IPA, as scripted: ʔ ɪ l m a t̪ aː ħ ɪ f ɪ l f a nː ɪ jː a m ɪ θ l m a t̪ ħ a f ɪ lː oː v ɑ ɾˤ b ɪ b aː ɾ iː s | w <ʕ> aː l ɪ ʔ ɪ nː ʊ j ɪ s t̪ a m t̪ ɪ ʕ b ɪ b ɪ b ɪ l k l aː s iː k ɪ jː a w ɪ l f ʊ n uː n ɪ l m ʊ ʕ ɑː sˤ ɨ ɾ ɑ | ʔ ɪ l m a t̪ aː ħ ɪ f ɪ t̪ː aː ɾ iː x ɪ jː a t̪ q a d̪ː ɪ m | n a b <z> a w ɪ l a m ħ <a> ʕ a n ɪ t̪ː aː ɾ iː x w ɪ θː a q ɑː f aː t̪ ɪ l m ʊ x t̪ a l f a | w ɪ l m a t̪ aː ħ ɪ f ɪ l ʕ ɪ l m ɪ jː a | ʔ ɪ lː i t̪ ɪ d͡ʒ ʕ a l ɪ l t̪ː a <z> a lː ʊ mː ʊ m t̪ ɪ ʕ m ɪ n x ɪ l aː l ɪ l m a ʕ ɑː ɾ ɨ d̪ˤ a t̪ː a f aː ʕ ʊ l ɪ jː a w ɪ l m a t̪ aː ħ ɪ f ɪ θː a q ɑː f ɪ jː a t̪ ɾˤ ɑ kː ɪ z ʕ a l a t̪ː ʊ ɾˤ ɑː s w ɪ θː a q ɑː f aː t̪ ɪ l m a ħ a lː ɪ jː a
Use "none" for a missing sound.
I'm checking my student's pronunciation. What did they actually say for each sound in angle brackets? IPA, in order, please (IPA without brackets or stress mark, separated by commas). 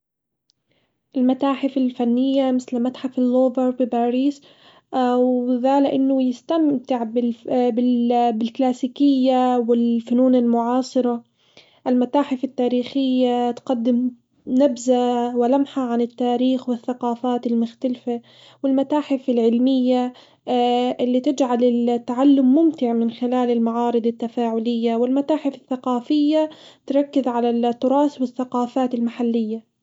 ð, z, a, ʕ